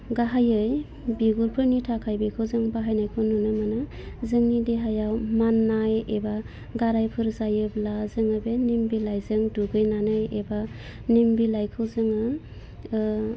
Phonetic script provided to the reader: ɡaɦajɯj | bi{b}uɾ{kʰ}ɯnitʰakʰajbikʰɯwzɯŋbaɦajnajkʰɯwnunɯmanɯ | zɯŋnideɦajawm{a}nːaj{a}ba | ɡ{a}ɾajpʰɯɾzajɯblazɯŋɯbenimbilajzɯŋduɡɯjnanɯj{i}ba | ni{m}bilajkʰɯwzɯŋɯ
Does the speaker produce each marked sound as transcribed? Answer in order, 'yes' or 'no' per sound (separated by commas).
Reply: no, no, yes, no, yes, no, yes